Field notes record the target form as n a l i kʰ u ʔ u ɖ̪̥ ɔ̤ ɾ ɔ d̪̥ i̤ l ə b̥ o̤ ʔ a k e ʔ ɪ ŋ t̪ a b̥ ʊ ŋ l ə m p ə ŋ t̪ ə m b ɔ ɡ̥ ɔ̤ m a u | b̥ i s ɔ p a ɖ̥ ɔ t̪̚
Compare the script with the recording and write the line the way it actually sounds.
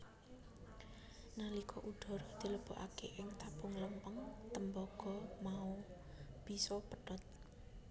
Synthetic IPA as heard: n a l i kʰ ɔ ʔ u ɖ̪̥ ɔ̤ ɾ ɔ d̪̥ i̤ l ə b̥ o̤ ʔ a k e ʔ ɪ ŋ t̪ a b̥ ʊ ŋ l ə m p ə ŋ t̪ ə m b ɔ ɡ̥ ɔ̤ m a u | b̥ i s ɔ p ə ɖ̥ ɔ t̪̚

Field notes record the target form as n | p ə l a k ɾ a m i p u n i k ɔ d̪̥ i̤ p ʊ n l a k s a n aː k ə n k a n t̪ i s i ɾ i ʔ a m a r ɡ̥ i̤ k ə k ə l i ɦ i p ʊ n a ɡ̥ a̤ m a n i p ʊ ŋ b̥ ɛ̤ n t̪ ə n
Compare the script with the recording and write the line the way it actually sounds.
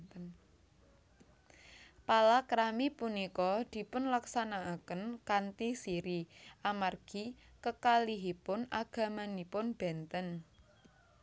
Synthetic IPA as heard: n | p a l a k ɾ a m i p u n i k ɔ d̪̥ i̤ p ʊ n l a k s a n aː k ə n k a n t̪ i s i ɾ i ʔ a m a r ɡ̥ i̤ k ə k a l i ɦ i p ʊ n a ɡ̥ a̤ m a n i p ʊ n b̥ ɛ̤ n t̪ ə n

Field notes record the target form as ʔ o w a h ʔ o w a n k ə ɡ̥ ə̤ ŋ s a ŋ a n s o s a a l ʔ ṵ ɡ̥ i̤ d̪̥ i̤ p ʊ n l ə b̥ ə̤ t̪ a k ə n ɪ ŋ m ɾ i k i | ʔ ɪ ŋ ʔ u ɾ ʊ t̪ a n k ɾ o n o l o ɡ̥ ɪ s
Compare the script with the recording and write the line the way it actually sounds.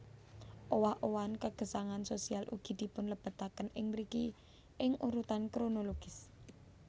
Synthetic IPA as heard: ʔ o w a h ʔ o w a n k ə ɡ̥ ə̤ s a ŋ a n s o s i a l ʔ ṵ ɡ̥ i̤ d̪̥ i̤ p ʊ n l ə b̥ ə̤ t̪ a k ə n ɪ ŋ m ɾ i k i | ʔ ɪ ŋ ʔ u ɾ u t̪ a n k ɾ o n o l o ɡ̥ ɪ s

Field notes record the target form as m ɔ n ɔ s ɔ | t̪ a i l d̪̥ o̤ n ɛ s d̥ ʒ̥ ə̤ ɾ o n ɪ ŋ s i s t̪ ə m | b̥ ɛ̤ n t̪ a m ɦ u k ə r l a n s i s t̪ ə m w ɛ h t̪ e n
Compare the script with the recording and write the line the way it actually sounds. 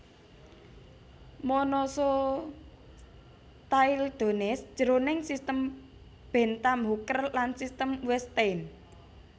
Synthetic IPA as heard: m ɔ n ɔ s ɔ | t̪ a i l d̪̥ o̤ n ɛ s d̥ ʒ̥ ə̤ ɾ o n ɪ ŋ s i s t̪ ə m | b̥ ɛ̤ n t̪ a m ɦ u k ə r l a n s i s t̪ ə m w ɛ s t̪ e n

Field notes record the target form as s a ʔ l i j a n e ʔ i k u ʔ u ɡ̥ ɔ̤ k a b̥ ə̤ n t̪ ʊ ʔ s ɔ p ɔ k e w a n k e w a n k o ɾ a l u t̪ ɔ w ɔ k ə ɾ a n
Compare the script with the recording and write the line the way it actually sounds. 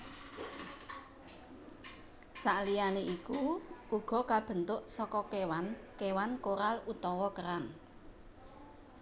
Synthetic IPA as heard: s a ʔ l i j a n e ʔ i k u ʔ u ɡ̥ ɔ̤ k a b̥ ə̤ n t̪ ʊ ʔ s ɔ k ɔ k e w a n k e w a n k o ɾ a l u t̪ ɔ w ɔ k ə ɾ a n

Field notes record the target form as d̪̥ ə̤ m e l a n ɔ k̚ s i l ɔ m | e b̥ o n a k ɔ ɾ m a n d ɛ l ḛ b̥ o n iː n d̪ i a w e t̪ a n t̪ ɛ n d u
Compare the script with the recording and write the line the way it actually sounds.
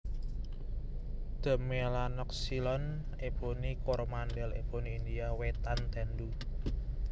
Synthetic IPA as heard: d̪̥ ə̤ m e l a n ɔ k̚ s i l ɔ n | e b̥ o n i k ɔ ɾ m a n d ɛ l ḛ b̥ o n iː n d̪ i a w e t̪ a n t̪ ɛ n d u

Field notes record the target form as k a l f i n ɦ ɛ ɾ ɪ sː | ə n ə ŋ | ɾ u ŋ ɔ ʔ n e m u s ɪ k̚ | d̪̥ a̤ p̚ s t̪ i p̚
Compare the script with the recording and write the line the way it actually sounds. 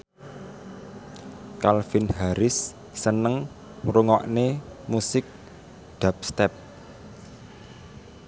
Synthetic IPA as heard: k a l f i n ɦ a ɾ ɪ sː | ə n ə ŋ | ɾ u ŋ ɔ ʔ n e m u s ɪ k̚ | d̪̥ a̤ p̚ s t̪ ɛ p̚

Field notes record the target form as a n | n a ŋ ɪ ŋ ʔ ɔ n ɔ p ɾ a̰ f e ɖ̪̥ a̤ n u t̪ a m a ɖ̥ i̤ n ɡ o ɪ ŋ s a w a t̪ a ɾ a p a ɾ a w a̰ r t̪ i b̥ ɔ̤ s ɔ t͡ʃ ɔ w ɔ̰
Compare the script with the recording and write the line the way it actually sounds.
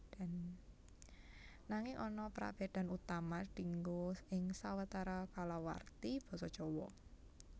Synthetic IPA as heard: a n | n a ŋ ɪ ŋ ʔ ɔ n ɔ p ɾ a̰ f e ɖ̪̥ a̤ n u t̪ a m a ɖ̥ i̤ ŋ ɡ o ɪ ŋ s a w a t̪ a ɾ a k a l a w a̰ r t̪ i b̥ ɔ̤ s ɔ t͡ʃ ɔ w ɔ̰

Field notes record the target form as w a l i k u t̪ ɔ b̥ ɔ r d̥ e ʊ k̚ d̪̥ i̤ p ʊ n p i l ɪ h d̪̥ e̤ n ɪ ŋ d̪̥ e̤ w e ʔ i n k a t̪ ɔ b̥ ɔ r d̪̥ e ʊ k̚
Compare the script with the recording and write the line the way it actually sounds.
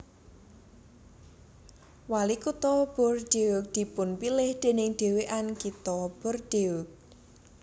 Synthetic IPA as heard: w a l i k u t̪ ɔ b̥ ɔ r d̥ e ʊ k̚ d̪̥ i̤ p ʊ n p i l ɪ h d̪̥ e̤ n ɪ ŋ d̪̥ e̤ w e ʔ a n k i t̪ ɔ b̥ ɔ r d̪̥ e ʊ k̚

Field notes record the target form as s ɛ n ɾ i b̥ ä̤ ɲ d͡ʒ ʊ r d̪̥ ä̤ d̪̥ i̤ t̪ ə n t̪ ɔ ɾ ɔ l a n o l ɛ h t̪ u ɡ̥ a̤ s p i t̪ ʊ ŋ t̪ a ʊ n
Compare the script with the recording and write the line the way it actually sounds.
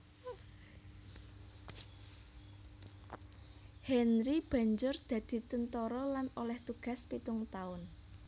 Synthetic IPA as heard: h ɛ n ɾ i b̥ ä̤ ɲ d͡ʒ ʊ r d̪̥ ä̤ d̪̥ i̤ t̪ ə n t̪ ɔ ɾ ɔ l a n o l ɛ h t̪ u ɡ̥ a̤ s p i t̪ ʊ ŋ t̪ a ʊ n

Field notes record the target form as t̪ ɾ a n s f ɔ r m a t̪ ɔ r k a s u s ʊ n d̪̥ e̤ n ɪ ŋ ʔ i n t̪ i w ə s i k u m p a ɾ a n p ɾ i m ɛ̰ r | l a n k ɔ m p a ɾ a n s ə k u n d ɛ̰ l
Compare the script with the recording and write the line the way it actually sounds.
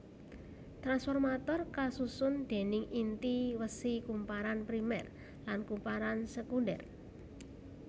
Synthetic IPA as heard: t̪ ɾ a n s f ɔ r m a t̪ ɔ r k a s u s ʊ n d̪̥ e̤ n ɪ ŋ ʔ i n t̪ i w ə s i k u m p a ɾ a n p ɾ i m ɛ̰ r | l a n k u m p a ɾ a n s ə k u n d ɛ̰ r

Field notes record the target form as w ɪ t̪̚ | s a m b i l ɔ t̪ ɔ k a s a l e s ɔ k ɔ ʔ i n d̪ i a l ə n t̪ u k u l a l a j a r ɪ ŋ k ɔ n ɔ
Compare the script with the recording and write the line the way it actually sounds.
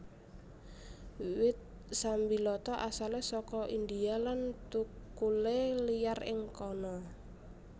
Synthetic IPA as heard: w ɪ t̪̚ | s a m b i l ɔ t̪ ɔ ʔ a s a l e s ɔ k ɔ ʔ i n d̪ i a l a n t̪ u k u l e l i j a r ɪ ŋ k ɔ n ɔ

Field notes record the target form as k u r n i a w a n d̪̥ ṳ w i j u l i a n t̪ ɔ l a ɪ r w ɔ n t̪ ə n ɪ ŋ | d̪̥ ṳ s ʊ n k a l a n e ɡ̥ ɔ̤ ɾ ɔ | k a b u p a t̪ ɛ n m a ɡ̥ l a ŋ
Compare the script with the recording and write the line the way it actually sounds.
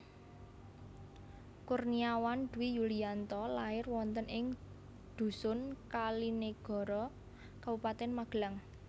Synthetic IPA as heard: k u r n i a w a n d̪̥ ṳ w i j u l i a n t̪ ɔ l a ɪ r w ɔ n t̪ ə n ɪ ŋ | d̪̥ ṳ s ʊ n k a l i n e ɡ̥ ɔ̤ ɾ ɔ | k a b u p a t̪ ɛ n m a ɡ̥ l a ŋ

